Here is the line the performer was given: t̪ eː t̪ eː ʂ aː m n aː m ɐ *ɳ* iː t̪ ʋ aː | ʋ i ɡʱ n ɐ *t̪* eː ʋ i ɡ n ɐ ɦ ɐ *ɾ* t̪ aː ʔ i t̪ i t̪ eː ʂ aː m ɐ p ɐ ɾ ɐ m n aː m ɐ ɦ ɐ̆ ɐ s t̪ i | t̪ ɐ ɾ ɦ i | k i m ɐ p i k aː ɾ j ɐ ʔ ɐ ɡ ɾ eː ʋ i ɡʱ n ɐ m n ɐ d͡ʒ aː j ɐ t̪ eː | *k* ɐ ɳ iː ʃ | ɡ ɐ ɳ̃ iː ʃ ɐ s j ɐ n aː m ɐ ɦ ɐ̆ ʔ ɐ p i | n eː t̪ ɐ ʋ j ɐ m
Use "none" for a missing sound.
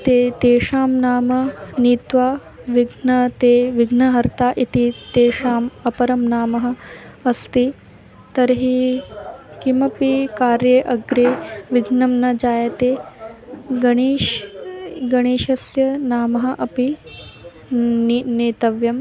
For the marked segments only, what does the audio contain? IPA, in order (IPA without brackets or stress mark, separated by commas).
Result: n, t̪, ɾ, ɡ